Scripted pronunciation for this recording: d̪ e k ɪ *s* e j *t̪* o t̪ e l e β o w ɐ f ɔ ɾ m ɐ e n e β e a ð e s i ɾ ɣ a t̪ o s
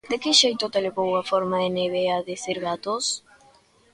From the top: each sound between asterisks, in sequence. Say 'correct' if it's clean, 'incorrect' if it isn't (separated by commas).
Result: incorrect, correct